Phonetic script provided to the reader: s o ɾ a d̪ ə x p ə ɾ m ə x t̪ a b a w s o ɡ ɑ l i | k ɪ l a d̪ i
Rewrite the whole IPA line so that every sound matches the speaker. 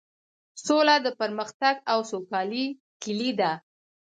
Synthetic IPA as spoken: s o l a d̪ ə p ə ɾ m ə x t̪ a ɡ a w s o k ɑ l i | k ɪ l i d̪ a

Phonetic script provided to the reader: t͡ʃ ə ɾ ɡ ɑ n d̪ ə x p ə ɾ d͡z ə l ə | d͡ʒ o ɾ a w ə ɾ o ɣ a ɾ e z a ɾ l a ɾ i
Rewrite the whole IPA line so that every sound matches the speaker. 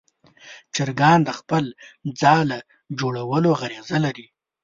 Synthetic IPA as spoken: t͡ʃ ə ɾ ɡ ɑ n d̪ ə x p ə l d͡z ɑ l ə | d͡ʒ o ɽ a w ə l o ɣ a ɾ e z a l a ɾ i

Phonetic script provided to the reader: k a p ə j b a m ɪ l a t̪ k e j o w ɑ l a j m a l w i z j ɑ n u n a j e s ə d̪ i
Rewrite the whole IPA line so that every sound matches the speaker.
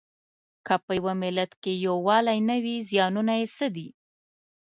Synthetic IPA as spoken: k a p ə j w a m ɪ l a t̪ k e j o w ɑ l a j n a w i z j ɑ n u n a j e s ə d̪ i

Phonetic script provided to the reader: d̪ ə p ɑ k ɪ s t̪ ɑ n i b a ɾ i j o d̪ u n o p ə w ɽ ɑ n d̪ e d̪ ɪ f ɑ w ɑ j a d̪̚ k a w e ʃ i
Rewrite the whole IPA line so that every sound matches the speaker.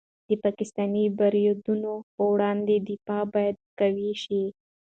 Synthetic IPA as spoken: d̪ ə p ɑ k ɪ s t̪ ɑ n i b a ɾ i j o d̪ u n o p ə w ɽ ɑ n d̪ e d̪ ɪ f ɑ b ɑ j a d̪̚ k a w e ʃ i

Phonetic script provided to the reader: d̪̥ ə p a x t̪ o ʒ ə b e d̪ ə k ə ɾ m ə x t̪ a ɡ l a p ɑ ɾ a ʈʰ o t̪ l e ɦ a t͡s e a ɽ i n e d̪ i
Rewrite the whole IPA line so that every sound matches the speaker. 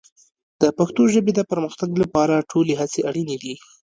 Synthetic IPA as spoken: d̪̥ ə p a x t̪ o ʒ ə b e d̪ ə p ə ɾ m ə x t̪ a ɡ l a p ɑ ɾ a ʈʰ o l e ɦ a t͡s e a ɽ i n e d̪ i

